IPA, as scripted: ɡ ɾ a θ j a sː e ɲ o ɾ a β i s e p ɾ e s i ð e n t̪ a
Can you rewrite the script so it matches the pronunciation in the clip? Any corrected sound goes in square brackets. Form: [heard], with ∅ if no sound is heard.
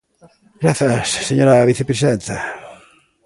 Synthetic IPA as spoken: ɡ ɾ a θ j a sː e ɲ o ɾ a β i [θ] e p ɾ e s i ð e n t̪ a